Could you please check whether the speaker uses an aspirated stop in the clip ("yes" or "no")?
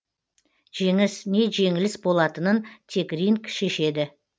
yes